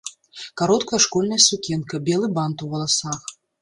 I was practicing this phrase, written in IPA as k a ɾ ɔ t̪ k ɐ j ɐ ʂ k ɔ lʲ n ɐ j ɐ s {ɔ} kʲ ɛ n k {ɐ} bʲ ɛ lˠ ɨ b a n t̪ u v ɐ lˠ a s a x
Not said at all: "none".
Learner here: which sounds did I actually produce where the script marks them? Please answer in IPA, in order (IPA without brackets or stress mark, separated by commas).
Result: u, ɐ